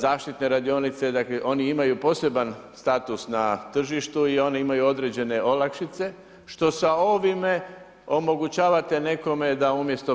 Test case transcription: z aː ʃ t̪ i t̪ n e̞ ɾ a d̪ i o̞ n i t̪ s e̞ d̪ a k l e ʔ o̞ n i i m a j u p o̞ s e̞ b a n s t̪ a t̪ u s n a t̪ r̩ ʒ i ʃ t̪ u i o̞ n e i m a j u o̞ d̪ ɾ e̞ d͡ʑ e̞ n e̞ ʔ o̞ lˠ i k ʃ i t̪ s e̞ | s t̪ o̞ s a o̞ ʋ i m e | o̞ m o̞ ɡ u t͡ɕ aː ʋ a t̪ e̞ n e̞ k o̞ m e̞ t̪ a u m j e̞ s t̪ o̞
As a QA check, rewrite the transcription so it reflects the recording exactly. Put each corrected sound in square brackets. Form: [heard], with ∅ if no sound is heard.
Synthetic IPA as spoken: z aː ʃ t̪ i t̪ n e̞ ɾ a d̪ i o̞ n i t̪ s e̞ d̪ a k l e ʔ o̞ n i i m a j u p o̞ s e̞ b a n s t̪ a t̪ u s n a t̪ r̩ ʒ i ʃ t̪ u i o̞ n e i m a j u o̞ d̪ ɾ e̞ d͡ʑ e̞ n e̞ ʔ o̞ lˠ [a] k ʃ i t̪ s e̞ | [ʃ] t̪ o̞ s a o̞ ʋ i m e | o̞ m o̞ ɡ u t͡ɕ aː ʋ a t̪ e̞ n e̞ k o̞ m e̞ [d̪] a u m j e̞ s t̪ o̞